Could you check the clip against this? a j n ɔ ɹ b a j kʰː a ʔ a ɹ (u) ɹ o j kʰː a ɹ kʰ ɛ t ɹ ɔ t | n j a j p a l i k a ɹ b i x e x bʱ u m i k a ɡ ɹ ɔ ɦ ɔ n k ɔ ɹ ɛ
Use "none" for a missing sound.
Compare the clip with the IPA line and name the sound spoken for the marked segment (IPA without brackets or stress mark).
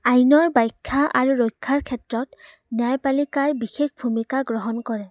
u